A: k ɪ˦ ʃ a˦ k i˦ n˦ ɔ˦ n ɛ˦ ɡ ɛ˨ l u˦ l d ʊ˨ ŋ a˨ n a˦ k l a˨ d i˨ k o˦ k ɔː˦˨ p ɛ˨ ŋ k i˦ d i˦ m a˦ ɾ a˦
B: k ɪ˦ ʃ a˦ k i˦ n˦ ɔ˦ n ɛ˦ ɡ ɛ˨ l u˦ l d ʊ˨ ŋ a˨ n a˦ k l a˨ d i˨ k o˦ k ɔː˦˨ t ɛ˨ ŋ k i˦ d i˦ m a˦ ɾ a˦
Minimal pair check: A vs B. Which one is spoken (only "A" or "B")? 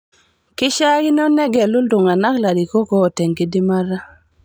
B